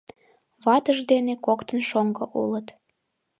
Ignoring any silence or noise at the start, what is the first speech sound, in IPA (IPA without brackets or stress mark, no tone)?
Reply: β